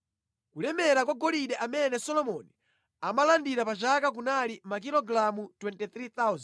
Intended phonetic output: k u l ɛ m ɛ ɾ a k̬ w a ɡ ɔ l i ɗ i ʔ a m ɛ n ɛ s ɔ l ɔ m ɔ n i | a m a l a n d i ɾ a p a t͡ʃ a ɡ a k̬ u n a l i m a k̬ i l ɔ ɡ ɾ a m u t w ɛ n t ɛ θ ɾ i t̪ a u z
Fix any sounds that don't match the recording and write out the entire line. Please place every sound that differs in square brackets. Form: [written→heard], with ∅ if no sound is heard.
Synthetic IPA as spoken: k u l ɛ m ɛ ɾ a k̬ w a ɡ ɔ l i ɗ [i→ɛ] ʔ a m ɛ n ɛ s ɔ l ɔ m ɔ n i | a m a l a n d i ɾ a p a t͡ʃ a [ɡ→k] a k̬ u n a l i m a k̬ i l ɔ ɡ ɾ a m u t w ɛ n t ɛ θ ɾ i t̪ a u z